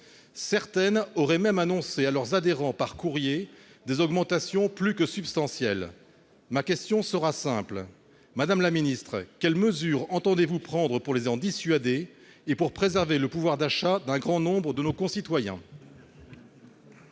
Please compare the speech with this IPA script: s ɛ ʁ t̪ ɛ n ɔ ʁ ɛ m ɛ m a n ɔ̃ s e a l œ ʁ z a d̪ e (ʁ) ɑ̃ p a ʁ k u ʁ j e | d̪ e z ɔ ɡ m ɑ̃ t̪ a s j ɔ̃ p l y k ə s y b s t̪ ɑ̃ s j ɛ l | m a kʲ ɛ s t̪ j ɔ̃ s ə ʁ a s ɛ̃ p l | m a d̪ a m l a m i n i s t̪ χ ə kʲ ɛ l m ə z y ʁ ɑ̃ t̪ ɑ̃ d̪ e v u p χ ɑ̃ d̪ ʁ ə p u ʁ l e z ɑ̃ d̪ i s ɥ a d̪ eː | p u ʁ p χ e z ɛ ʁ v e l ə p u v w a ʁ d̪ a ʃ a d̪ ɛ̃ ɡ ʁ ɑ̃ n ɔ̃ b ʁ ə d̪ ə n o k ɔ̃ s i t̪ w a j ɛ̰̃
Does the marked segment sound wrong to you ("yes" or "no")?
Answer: no